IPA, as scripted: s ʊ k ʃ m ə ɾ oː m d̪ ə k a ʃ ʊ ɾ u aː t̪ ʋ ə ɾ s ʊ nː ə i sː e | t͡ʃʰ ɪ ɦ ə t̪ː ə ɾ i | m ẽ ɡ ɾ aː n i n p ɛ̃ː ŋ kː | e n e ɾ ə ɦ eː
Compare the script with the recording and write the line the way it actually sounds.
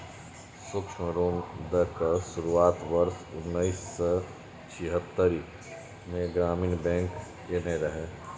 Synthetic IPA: s ʊ k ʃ m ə ɾ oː m d̪ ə k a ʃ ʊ ɾ u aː t̪ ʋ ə ɾ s ʊ nː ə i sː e | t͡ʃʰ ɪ ɦ ə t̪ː ə ɾ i | m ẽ ɡ ɾ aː m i n b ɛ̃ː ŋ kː | e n e ɾ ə ɦ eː